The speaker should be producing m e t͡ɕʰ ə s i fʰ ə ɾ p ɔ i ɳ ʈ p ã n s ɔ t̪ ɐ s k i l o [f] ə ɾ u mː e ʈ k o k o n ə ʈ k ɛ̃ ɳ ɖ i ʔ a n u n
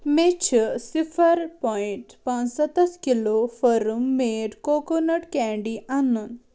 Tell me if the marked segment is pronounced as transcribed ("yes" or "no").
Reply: yes